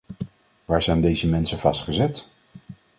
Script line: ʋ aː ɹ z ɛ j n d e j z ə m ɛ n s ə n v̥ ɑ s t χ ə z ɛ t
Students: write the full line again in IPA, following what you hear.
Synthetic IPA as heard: ʋ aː ɹ z ɛ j n d e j z ə m ɛ n s ə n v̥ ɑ s t χ ə z ɛ t